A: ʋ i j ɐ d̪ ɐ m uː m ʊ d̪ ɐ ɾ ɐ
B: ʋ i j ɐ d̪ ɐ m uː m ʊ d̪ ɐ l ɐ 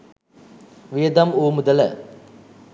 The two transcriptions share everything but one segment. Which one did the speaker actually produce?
B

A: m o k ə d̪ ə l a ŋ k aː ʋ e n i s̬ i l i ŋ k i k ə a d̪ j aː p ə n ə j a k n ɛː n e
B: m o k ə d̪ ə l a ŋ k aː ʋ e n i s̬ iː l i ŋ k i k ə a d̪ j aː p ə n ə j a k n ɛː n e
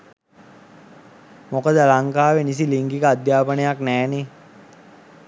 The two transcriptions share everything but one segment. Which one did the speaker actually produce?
A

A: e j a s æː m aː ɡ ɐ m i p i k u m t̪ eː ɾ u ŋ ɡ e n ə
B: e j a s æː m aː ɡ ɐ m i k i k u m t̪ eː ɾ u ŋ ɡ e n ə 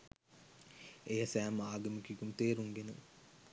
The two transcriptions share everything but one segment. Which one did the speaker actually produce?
B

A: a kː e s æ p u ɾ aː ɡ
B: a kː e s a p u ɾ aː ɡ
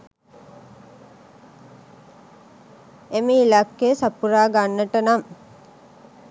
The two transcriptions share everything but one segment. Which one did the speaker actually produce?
B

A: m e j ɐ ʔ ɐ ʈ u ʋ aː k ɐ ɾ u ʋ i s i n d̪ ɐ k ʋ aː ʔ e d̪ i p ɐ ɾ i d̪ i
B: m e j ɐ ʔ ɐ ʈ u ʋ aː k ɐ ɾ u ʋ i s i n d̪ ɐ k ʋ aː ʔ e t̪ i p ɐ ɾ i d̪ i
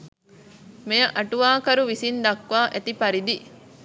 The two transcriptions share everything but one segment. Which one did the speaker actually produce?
B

